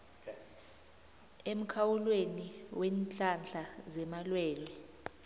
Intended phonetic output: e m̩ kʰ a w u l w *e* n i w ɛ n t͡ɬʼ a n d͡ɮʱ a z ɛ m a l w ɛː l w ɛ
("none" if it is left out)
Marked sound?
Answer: e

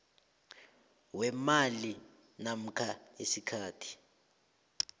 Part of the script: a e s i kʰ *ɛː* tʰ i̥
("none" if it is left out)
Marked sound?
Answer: aː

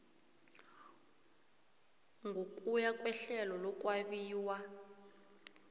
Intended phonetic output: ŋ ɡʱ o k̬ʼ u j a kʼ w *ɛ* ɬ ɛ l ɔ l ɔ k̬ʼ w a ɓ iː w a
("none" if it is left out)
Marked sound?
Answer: ɛ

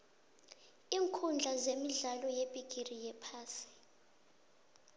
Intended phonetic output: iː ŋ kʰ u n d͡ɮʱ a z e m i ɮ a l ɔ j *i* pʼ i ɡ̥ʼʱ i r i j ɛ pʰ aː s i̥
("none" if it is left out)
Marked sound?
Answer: e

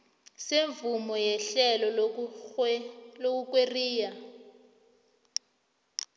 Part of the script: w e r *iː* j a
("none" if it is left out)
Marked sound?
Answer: iː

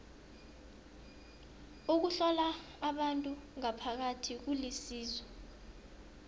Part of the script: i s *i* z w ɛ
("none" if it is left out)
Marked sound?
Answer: iː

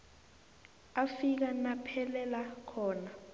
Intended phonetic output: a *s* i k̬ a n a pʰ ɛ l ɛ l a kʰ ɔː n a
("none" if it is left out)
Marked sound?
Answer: f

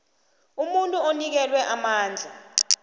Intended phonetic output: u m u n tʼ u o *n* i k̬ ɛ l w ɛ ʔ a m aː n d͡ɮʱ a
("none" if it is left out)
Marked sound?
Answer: n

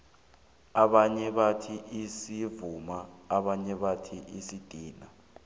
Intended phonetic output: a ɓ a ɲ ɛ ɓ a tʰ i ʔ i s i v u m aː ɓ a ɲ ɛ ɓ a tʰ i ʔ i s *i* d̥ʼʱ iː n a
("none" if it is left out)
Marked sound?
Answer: i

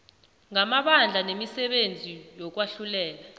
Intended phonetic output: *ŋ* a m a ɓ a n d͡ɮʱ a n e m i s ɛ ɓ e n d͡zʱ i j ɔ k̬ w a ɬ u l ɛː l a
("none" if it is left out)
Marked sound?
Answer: ŋ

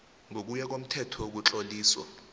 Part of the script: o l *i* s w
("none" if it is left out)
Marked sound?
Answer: iː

